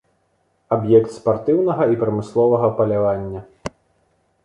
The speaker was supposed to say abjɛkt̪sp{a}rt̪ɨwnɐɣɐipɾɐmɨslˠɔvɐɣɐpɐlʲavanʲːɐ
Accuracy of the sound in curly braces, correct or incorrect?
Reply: correct